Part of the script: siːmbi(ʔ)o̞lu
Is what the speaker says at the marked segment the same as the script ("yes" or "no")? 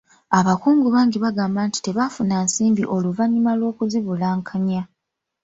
yes